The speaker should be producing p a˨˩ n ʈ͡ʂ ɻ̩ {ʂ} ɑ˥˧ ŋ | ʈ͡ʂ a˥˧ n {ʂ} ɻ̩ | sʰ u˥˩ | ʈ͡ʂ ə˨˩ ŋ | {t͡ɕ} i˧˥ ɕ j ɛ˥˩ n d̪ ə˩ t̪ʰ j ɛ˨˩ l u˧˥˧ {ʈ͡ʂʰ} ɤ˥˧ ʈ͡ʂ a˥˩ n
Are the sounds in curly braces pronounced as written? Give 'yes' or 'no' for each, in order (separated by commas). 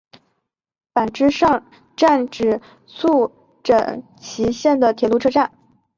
yes, no, no, yes